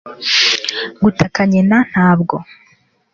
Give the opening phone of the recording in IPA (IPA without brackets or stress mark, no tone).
ɡ